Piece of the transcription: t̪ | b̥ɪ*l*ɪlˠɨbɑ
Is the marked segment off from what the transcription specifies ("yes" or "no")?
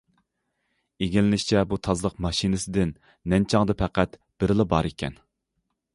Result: yes